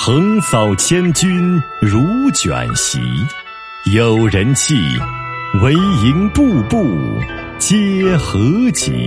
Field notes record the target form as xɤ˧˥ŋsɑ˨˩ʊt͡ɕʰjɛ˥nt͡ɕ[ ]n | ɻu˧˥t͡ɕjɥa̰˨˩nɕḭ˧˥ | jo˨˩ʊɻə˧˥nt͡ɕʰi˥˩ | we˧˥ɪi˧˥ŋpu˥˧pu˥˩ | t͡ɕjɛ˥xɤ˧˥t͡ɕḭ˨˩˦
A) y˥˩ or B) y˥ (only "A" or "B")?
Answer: B